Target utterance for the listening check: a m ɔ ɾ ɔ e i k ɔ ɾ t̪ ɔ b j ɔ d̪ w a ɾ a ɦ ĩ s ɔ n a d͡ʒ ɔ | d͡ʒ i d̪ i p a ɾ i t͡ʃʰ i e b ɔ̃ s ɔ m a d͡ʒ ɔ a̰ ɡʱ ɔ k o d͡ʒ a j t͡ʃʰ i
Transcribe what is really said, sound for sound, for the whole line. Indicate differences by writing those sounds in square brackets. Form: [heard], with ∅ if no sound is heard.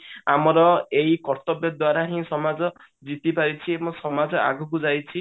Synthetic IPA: a m ɔ ɾ ɔ e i k ɔ ɾ t̪ ɔ b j ɔ d̪ w a ɾ a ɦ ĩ s ɔ [m] a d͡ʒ ɔ | d͡ʒ i [t̪] i p a ɾ i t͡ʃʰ i e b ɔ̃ s ɔ m a d͡ʒ ɔ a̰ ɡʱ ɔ k [u] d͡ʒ a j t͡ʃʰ i